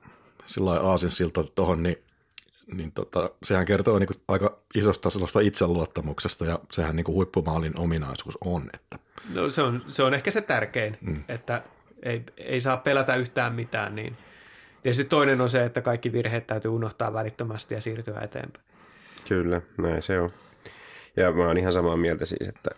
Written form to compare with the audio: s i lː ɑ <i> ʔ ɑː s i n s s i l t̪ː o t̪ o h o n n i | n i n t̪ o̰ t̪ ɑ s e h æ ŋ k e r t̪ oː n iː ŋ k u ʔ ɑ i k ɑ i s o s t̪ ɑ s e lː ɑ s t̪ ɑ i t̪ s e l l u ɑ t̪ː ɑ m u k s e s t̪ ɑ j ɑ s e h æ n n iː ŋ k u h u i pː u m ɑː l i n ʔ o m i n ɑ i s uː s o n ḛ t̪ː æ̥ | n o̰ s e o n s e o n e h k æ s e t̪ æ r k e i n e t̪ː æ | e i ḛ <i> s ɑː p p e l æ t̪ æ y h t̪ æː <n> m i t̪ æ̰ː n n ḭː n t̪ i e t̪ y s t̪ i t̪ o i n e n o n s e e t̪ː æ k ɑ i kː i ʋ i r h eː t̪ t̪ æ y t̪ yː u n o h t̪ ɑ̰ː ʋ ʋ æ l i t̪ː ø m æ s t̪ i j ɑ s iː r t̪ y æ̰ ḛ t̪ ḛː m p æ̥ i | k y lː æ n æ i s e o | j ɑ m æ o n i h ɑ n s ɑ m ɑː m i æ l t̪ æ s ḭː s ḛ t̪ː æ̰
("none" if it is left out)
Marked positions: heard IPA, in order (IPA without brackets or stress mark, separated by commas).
i, i, m